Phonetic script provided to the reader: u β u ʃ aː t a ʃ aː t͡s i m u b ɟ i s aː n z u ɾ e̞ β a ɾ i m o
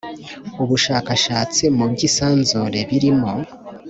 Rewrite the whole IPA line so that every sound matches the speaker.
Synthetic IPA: u β u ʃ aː k a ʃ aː t͡s i m u b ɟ i s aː n z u ɾ e̞ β i ɾ i m o